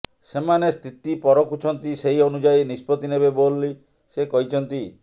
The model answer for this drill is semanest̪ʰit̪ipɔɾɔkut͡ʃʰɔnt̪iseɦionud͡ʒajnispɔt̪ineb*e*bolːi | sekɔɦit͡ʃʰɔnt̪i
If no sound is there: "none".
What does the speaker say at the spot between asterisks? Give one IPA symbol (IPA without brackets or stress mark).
e